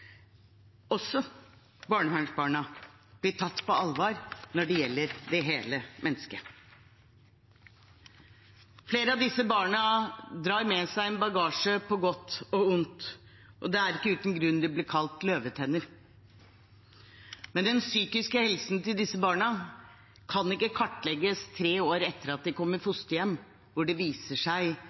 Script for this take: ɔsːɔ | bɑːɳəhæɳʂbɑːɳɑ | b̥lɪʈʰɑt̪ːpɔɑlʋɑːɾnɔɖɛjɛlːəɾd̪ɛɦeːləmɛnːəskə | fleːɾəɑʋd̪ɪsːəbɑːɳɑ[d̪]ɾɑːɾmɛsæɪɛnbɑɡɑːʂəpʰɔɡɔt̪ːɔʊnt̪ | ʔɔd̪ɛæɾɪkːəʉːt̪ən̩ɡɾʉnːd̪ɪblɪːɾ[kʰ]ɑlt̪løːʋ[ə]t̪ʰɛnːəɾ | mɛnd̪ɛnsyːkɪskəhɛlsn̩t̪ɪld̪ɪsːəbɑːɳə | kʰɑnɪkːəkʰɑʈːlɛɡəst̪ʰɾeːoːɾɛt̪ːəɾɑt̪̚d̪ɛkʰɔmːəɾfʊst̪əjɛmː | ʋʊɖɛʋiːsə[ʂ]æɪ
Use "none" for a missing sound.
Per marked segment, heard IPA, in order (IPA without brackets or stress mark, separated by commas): d̪, kʰ, ə, ʂ